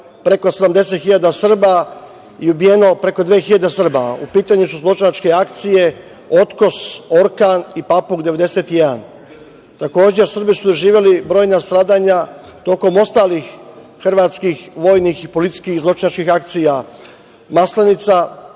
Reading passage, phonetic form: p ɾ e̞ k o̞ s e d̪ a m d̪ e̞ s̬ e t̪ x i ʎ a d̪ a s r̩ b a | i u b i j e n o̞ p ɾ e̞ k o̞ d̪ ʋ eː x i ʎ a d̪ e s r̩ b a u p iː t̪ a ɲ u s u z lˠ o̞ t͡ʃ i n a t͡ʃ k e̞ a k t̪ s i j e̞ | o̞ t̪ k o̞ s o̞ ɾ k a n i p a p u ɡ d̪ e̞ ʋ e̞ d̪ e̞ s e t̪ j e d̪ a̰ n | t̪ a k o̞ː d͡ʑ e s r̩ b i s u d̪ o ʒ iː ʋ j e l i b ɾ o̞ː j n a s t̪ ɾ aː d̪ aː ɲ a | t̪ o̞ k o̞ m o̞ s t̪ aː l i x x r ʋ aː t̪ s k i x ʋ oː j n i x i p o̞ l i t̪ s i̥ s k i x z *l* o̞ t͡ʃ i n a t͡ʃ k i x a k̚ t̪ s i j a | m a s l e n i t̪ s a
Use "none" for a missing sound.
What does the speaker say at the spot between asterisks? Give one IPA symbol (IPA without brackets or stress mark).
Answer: l